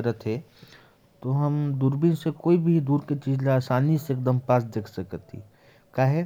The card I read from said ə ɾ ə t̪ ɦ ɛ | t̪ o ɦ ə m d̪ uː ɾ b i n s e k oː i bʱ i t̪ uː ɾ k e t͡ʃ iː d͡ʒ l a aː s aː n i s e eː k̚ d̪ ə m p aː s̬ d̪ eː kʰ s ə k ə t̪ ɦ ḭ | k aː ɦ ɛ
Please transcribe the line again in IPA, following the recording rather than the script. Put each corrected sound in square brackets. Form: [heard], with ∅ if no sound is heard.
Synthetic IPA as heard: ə ɾ ə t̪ ɦ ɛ | t̪ o ɦ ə m d̪ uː ɾ b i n s e k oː i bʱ i [d̪] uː ɾ k e t͡ʃ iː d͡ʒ l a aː s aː n i s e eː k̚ d̪ ə m p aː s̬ d̪ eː kʰ s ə k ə t̪ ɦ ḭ | k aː ɦ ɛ